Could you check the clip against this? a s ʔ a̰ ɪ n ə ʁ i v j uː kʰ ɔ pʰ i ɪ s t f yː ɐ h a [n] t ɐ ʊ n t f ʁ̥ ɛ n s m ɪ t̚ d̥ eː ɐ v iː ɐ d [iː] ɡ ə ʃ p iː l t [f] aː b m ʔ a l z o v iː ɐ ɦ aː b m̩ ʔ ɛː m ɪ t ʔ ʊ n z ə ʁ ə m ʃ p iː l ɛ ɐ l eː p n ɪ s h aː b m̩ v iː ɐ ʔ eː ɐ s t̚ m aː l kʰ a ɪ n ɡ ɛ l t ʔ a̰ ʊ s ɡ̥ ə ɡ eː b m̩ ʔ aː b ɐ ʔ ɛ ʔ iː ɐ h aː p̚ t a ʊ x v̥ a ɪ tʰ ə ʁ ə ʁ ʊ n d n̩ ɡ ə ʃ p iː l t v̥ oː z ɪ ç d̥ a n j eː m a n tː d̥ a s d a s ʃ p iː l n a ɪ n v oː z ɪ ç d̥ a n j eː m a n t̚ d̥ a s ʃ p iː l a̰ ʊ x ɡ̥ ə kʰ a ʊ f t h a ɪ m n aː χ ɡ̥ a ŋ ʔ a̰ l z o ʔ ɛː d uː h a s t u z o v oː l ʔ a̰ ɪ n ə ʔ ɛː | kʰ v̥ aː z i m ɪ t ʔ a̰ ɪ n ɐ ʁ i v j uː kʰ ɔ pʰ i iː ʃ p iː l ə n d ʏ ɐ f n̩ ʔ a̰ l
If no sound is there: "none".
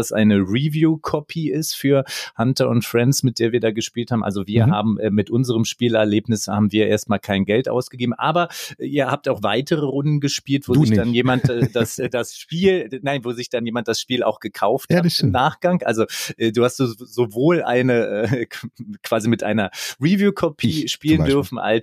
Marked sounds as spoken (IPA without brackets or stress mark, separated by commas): n, aː, h